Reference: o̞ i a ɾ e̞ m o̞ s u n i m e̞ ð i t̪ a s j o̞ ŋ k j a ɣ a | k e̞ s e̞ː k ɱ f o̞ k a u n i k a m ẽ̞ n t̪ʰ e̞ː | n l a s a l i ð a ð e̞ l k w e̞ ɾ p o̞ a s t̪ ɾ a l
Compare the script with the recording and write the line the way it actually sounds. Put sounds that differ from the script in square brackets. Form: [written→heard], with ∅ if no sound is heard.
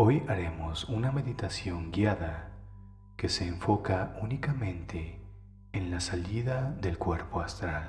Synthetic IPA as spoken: o̞ [i→j] a ɾ e̞ m o̞ s u n [i→a] m e̞ ð i t̪ a s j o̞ ŋ [k→ɡ] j a [ɣ→ð] a | k e̞ s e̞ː [k→∅] ɱ f o̞ k a u n i k a m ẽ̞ n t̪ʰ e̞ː | n l a s a l i ð a ð e̞ l k w e̞ ɾ p o̞ a s t̪ ɾ a l

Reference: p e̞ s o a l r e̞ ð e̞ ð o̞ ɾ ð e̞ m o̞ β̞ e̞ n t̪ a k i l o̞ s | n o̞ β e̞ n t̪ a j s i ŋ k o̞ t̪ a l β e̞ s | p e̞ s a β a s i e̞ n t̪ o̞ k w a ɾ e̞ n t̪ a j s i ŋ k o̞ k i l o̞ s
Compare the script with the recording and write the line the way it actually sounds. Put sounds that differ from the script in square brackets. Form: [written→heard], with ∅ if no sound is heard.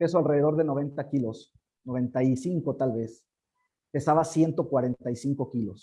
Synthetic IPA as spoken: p e̞ s o a l r e̞ ð e̞ ð o̞ ɾ ð e̞ [m→n] o̞ β̞ e̞ n t̪ a k i l o̞ s | n o̞ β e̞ n t̪ a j s i ŋ k o̞ t̪ a l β e̞ s | p e̞ s a β a s [i→j] e̞ n t̪ o̞ k w a ɾ e̞ n t̪ a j s i ŋ k o̞ k i l o̞ s

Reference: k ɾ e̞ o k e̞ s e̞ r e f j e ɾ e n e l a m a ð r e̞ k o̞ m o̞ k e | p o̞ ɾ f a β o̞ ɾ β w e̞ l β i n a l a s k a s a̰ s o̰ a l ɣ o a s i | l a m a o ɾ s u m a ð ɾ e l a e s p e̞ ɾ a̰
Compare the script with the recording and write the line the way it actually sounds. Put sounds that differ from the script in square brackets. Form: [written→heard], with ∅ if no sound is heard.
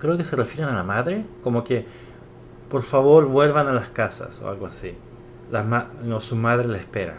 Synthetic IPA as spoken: k ɾ e̞ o k e̞ s e̞ r e f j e ɾ e n [e→a] l a m a ð [r→ɾ] e̞ k o̞ m o̞ k e | p o̞ ɾ f a β o̞ ɾ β w e̞ l β [i→a] n a l a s k a s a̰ s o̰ a l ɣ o a s i | l a m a o [ɾ→∅] s u m a ð ɾ e l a e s p e̞ ɾ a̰

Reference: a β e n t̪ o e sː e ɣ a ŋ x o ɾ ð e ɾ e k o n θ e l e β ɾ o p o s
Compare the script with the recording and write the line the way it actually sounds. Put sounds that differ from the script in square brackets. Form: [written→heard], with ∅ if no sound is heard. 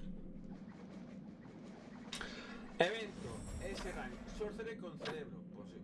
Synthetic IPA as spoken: [a→e] β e n t̪ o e [sː→s] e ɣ a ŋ [x→s] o ɾ [ð→θ] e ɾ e k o n θ e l e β ɾ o p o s

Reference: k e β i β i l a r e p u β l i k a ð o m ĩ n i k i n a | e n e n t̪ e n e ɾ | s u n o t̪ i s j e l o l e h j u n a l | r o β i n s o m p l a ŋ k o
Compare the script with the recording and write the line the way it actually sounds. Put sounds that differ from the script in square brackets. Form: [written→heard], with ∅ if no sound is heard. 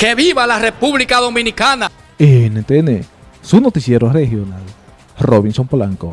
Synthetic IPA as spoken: k e β i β [i→a] l a r e p u β l i k a ð o m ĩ n i k [i→a] n a | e n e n t̪ e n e [ɾ→∅] | s u n o t̪ i s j e [l→ɾ] o [l→r] e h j [u→o] n a l | r o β i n s o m p l a ŋ k o

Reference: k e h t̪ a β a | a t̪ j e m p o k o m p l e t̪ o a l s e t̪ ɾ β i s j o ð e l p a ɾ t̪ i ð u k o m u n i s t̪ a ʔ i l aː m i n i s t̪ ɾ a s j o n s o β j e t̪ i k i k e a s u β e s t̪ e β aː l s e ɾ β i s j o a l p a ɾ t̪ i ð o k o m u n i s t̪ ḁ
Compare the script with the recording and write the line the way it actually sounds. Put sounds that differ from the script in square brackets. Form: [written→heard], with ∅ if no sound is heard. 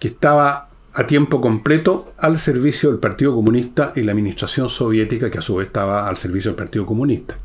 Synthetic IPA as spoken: k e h t̪ a β a | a t̪ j e m p o k o m p l e t̪ o a l s e [t̪→∅] ɾ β i s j o ð e l p a ɾ t̪ i ð [u→o] k o m u n i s t̪ a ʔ i l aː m i n i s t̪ ɾ a s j o n s o β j e t̪ i k [i→a] k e a s u β e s t̪ [e→a] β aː l s e ɾ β i s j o [a→e] l p a ɾ t̪ i ð o k o m u n i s t̪ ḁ

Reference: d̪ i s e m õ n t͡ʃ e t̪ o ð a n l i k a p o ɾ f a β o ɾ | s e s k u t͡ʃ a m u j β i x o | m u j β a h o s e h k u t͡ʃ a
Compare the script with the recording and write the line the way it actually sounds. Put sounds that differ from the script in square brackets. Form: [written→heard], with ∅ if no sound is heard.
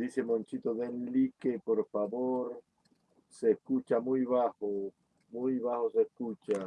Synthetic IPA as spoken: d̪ i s e m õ n t͡ʃ [e→i] t̪ o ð [a→e] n l i k [a→e] p o ɾ f a β o ɾ | s e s k u t͡ʃ a m u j β [i→a] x o | m u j β a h o s e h k u t͡ʃ a

